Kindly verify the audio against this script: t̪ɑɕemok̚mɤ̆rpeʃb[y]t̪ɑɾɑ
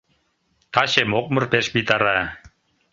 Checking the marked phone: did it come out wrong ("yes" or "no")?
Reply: yes